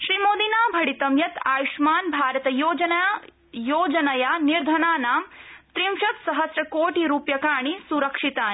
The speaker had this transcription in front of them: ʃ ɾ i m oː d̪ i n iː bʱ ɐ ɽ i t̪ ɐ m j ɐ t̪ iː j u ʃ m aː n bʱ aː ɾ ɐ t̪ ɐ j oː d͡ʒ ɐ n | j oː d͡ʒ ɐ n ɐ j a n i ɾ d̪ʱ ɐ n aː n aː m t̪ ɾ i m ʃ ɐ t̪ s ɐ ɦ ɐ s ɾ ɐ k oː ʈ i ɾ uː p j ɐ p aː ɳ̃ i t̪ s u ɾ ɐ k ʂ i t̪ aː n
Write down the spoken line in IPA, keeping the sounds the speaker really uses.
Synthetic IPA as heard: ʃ ɾ i m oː d̪ i n aː bʱ ɐ ɽ i t̪ ɐ m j ɐ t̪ aː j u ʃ m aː n bʱ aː ɾ ɐ t̪ ɐ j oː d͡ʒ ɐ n | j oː d͡ʒ ɐ n ɐ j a n i ɾ d̪ʱ ɐ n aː n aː m t̪ ɾ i m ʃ ɐ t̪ s ɐ ɦ ɐ s ɾ ɐ k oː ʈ i ɾ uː p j ɐ k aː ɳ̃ i s u ɾ ɐ k ʂ i t̪ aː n